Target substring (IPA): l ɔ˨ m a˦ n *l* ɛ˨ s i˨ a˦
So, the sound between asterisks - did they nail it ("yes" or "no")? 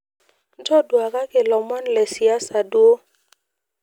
yes